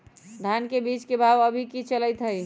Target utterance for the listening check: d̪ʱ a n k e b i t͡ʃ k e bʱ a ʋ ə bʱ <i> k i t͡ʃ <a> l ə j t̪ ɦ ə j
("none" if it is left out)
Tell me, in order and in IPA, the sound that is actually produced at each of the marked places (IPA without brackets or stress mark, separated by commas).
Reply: i, ə